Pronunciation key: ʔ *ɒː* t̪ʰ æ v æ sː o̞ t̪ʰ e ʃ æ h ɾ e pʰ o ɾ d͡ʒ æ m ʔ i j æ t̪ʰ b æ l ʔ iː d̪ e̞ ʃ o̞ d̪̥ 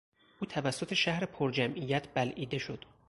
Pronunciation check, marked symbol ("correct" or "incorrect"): incorrect